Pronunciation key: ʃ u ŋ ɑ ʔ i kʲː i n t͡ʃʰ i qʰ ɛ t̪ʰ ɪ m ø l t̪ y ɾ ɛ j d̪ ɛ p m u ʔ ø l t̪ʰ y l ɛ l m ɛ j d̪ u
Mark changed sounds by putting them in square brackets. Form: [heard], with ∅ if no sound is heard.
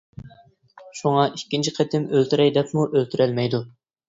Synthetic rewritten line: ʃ u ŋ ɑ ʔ i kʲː i n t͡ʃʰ i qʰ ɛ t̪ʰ ɪ m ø l t̪ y ɾ ɛ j d̪ ɛ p m u ʔ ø l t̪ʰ y [ɾ] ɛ l m ɛ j d̪ u